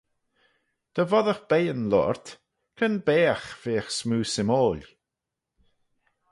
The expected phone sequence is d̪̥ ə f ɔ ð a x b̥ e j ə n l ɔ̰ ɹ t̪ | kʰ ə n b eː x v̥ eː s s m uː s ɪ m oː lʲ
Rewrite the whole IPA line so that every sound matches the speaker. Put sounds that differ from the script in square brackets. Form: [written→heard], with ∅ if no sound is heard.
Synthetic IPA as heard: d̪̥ ə [f→v] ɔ ð [a→ə] x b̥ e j ə n l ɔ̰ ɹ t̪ | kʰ ə n b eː x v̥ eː [s→x] s m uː s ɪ m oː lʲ